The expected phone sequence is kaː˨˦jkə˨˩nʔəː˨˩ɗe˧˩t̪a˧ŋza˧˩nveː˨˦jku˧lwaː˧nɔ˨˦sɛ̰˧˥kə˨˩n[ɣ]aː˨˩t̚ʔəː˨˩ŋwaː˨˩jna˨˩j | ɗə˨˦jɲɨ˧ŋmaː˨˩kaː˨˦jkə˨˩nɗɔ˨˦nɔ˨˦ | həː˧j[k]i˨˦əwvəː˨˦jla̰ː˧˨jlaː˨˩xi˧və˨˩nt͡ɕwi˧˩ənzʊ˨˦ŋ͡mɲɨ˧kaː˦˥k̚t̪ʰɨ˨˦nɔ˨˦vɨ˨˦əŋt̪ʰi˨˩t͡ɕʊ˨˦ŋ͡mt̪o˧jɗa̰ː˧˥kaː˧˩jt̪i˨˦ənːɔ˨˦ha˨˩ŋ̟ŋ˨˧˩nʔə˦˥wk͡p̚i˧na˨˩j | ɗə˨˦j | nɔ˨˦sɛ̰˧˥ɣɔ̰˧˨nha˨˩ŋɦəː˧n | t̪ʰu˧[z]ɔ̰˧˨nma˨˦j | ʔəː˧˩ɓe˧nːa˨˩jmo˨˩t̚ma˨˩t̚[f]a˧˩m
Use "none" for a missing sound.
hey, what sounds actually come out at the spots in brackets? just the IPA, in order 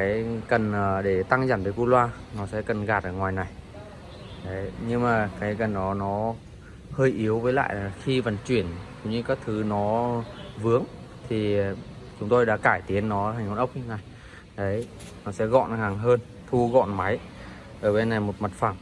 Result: ɣ, ʔ, ɣ, f

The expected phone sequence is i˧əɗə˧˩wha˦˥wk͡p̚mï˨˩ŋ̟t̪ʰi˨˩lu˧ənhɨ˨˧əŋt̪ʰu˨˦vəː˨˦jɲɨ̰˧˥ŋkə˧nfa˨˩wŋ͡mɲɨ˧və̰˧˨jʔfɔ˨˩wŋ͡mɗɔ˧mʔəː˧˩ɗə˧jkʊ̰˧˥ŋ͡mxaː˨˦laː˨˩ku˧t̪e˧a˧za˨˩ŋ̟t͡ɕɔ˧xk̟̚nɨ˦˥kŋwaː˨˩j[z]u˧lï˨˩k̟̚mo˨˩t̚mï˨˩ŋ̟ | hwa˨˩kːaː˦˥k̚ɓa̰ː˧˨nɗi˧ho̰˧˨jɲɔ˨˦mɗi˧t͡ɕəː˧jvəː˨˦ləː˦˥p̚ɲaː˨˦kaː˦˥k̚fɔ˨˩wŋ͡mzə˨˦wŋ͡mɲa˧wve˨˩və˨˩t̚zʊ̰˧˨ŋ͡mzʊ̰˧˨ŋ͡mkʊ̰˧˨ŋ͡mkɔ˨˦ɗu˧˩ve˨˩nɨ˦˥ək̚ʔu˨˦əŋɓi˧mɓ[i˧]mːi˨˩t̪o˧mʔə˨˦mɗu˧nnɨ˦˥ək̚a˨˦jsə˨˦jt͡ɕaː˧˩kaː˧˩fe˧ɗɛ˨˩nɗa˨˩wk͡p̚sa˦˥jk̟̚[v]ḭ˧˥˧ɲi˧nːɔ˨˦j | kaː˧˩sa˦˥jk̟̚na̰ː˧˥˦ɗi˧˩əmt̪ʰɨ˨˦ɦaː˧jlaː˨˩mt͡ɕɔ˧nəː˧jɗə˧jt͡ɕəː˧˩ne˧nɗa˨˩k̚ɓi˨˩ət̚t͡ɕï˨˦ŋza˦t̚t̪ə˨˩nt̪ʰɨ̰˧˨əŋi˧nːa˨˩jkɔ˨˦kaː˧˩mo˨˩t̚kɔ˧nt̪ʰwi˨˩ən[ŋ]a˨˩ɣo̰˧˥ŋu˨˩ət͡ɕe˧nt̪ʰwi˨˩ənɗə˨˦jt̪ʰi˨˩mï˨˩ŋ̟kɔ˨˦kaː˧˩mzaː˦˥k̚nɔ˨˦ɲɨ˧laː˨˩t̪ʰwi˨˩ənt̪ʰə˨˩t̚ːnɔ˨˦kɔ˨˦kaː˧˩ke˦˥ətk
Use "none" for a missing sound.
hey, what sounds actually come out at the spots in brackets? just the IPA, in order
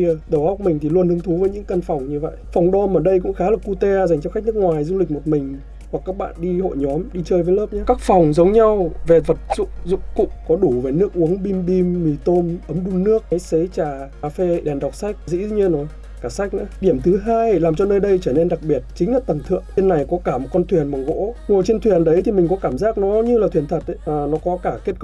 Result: z, i˧, z, m

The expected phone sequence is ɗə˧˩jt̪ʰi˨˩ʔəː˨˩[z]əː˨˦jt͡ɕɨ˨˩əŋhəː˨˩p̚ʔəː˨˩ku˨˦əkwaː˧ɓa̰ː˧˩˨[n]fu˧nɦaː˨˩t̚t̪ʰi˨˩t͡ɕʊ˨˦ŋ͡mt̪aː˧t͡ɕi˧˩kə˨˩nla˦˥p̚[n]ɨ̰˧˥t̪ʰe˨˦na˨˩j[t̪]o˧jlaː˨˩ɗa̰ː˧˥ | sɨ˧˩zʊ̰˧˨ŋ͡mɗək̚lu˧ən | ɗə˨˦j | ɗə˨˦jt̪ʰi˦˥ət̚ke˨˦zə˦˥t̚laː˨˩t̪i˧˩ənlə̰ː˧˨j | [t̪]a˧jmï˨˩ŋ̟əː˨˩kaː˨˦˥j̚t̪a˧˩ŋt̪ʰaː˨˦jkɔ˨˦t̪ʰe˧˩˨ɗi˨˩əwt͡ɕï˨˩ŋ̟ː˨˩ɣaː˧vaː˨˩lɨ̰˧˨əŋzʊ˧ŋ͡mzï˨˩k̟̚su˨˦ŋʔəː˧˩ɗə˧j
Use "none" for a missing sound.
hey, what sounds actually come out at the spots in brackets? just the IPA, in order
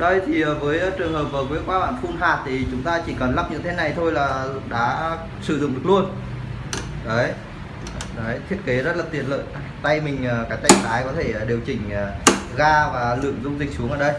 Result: v, n, ɲ, t̪ʰ, t̪

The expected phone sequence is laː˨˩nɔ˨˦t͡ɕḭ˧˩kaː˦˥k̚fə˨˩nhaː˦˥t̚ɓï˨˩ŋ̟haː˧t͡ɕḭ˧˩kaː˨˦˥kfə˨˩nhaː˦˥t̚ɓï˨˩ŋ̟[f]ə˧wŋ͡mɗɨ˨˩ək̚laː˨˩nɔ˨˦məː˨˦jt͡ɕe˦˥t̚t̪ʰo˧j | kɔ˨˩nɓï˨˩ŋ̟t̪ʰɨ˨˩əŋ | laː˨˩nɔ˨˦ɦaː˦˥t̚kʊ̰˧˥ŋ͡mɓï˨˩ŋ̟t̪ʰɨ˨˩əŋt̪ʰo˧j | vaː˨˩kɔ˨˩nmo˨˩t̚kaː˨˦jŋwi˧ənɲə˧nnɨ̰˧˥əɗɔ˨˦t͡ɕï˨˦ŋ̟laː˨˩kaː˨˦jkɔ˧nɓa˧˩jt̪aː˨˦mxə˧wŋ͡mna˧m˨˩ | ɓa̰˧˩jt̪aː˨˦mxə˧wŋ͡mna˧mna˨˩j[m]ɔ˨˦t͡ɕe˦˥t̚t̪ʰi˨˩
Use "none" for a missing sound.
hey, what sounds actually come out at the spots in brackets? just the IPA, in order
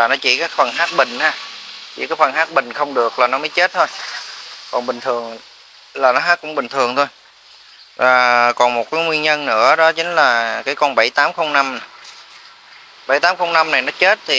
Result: x, n

